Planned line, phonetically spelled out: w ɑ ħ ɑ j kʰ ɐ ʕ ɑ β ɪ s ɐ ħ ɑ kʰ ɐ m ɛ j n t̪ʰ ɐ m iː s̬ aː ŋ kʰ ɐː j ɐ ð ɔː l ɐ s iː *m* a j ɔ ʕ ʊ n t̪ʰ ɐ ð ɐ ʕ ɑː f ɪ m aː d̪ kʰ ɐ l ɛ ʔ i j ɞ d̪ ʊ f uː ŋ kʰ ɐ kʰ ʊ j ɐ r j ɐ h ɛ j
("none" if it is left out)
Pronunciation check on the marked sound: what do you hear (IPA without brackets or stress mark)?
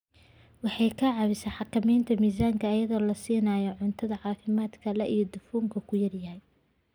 n